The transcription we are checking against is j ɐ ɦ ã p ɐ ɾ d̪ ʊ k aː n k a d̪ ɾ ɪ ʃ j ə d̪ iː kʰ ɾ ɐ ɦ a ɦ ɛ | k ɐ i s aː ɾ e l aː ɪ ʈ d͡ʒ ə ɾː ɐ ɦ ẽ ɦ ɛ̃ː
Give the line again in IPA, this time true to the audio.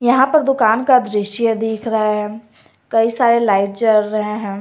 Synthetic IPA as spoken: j ɐ ɦ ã p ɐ ɾ d̪ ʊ k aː n k a d̪ ɾ ɪ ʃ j ə d̪ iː kʰ ɾ ɐ ɦ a ɦ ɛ | k ɐ i s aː ɾ e l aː ɪ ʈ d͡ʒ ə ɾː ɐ ɦ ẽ ɦ ɛ̃ː

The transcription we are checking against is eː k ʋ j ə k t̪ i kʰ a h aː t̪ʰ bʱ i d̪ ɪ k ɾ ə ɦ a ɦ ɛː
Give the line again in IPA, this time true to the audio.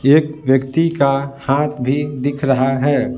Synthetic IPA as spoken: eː k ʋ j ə k t̪ i k a h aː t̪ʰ bʱ i d̪ ɪ kʰ ɾ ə ɦ a ɦ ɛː

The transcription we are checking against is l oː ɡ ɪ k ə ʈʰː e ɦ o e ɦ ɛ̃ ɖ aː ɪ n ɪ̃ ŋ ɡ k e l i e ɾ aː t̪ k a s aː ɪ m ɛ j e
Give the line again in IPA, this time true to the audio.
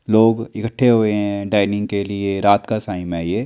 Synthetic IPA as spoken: l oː ɡ ɪ k ə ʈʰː e ɦ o e ɦ ɛ̃ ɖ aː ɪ n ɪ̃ ŋ ɡ k e l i e ɾ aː t̪ k a s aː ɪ m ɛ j e

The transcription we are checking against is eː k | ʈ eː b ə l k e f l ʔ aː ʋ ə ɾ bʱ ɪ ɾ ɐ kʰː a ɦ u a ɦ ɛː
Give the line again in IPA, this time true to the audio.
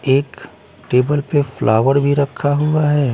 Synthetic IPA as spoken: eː k | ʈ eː b ə l p e f l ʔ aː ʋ ə ɾ bʱ i ɾ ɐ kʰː a ɦ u a ɦ ɛː

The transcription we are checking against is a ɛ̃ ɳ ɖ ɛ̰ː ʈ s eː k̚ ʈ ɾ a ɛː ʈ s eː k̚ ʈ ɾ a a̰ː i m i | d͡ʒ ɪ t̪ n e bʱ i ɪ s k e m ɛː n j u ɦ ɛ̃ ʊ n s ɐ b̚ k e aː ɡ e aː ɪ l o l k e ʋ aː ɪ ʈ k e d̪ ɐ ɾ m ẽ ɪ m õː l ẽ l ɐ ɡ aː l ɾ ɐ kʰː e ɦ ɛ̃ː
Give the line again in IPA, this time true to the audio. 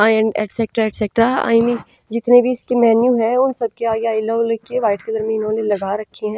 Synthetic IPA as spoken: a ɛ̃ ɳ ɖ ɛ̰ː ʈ s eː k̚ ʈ ɾ a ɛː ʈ s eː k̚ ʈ ɾ a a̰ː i m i | d͡ʒ ɪ t̪ n e bʱ i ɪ s k e m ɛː n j u ɦ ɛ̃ ʊ n s ɐ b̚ k e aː ɡ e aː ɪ l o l k e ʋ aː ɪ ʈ k e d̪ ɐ ɾ m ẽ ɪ n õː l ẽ l ɐ ɡ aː ɾ ɐ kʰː e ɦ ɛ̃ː

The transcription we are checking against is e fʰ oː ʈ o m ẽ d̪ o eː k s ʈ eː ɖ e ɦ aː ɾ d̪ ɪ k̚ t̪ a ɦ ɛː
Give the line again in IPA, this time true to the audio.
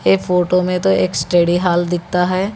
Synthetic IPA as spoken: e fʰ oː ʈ o m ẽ t̪ o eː k s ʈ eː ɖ i ɦ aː l d̪ ɪ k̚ t̪ a ɦ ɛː

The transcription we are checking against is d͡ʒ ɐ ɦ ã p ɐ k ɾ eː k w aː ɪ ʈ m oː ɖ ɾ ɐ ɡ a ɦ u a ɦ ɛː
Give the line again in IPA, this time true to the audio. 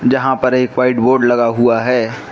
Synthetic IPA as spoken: d͡ʒ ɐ ɦ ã p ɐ ɾ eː k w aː ɪ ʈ b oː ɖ l ɐ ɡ a ɦ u a ɦ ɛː

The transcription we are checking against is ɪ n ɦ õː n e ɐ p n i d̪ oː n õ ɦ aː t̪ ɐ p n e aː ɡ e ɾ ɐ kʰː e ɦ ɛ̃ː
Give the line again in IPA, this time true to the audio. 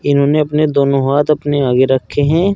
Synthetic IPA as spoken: ɪ n ɦ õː n e ɐ p n e d̪ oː n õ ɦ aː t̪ ɐ p n e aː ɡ e ɾ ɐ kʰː e ɦ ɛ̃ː

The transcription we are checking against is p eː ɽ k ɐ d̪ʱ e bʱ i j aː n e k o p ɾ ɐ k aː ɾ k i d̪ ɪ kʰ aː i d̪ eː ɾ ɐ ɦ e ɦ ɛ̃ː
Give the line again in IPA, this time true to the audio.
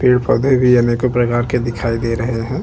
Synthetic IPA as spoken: p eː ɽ p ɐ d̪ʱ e bʱ i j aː n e k o p ɾ ɐ k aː ɾ k e d̪ ɪ kʰ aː i d̪ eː ɾ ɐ ɦ e ɦ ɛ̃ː

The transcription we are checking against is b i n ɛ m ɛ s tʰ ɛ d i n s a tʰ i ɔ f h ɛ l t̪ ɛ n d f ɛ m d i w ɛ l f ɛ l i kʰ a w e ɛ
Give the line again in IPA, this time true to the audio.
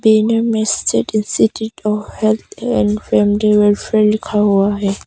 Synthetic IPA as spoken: b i n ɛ m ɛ s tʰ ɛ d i n s i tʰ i ɔ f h ɛ l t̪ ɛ n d f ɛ m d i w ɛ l f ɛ l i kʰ a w a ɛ

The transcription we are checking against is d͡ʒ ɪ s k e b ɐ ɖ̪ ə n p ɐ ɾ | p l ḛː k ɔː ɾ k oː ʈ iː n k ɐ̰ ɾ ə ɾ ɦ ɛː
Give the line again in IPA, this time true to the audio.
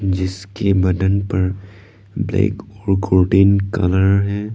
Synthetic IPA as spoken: d͡ʒ ɪ s k e b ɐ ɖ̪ ə n p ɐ ɾ | b l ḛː k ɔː ɾ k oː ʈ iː n k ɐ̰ l ə ɾ ɦ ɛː

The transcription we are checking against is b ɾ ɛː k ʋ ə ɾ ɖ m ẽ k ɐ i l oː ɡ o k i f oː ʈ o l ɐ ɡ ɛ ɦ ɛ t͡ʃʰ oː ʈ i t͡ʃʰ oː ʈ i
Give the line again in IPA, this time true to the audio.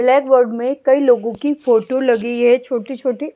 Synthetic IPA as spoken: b l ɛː k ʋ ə ɾ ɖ m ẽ k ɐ i l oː ɡ õ k i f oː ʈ o l ɐ ɡ i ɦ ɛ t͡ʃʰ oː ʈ i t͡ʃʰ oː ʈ i

